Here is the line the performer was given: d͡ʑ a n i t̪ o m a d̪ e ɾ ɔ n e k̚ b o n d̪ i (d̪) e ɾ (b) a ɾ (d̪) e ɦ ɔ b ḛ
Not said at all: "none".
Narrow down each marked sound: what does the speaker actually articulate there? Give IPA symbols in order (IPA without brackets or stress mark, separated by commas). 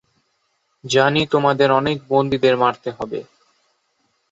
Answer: d̪, m, t̪